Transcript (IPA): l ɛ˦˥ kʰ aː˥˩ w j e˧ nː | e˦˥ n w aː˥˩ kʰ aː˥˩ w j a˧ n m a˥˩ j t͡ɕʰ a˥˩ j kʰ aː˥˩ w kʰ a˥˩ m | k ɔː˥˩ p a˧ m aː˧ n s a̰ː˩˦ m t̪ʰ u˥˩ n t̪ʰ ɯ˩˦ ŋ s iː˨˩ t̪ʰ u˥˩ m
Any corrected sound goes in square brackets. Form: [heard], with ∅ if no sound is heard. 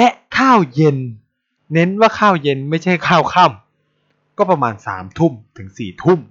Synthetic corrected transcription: l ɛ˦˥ kʰ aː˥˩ w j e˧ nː | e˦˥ n w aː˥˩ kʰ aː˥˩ w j [e˧] n m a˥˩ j t͡ɕʰ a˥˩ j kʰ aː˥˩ w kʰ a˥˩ m | k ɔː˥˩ p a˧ m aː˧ n s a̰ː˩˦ m t̪ʰ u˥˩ [m] t̪ʰ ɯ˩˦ ŋ s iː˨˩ t̪ʰ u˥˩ m